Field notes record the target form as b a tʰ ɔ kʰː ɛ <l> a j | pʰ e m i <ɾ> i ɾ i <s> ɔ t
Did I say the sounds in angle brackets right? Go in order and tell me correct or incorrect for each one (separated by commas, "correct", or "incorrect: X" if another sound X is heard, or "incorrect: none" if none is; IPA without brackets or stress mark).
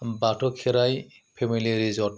incorrect: ɾ, incorrect: l, incorrect: z